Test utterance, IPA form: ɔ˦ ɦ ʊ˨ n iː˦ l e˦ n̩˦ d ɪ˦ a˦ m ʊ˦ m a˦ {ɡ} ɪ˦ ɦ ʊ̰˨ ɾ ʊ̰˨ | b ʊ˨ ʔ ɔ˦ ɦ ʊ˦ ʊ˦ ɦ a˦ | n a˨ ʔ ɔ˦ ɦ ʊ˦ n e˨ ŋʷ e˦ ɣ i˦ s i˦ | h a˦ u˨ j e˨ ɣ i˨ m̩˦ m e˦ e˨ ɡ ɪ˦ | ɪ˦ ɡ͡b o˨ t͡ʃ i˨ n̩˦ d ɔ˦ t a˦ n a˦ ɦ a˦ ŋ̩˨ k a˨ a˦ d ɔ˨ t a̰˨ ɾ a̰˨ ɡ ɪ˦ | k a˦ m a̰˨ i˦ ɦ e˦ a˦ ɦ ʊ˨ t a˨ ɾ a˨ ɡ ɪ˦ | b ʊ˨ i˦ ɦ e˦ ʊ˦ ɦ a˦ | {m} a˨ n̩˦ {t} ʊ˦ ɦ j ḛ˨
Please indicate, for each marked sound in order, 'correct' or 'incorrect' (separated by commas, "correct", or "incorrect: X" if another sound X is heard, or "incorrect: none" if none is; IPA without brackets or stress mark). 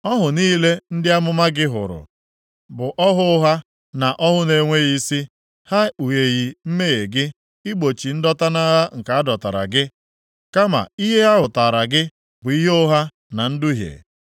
correct, incorrect: n, incorrect: d